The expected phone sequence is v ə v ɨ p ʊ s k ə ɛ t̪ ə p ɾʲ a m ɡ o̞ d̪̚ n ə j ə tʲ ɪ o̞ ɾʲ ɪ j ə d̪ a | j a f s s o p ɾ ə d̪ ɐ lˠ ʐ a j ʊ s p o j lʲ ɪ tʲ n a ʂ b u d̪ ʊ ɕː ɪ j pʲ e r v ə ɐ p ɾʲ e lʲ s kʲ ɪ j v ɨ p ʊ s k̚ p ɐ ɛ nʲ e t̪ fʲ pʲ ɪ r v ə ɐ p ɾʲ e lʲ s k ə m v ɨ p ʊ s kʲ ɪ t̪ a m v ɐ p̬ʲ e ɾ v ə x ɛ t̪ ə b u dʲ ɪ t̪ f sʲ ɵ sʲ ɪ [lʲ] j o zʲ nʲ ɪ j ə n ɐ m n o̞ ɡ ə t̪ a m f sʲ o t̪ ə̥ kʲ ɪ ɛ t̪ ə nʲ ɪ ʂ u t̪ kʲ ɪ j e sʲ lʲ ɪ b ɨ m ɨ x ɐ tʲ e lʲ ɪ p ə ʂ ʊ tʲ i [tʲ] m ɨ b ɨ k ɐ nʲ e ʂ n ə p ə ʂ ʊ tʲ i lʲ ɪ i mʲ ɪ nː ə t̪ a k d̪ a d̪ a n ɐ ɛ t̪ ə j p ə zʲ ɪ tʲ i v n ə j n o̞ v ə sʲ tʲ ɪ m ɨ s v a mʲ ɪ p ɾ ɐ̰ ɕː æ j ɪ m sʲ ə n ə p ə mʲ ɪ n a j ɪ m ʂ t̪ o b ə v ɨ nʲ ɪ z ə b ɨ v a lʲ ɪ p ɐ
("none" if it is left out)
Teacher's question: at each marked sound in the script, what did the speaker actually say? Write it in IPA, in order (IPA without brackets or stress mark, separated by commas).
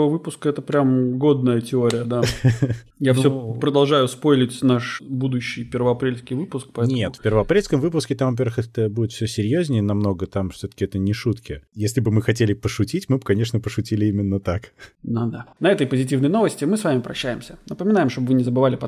ɾʲ, tʲ